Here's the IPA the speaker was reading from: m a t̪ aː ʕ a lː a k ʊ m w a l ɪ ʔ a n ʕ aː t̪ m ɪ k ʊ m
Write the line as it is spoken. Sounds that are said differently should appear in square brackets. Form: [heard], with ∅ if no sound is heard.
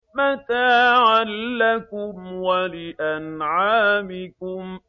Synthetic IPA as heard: m a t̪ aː ʕ a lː a k ʊ m w a l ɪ ʔ a n ʕ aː [∅] m ɪ k ʊ m